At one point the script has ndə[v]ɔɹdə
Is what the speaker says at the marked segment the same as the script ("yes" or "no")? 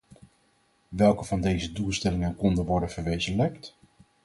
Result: no